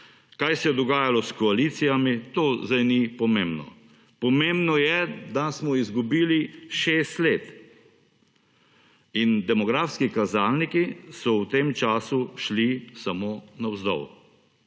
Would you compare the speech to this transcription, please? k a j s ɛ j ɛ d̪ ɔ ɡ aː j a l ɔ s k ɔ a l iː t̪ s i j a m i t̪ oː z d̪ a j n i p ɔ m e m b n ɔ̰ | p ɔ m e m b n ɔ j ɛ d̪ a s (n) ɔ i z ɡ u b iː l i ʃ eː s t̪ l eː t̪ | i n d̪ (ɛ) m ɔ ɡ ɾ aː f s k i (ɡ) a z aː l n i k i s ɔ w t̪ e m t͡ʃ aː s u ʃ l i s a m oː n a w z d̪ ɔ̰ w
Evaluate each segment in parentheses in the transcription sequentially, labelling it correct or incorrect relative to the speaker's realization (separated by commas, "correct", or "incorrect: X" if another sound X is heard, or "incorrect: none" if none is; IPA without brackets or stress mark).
incorrect: m, correct, incorrect: k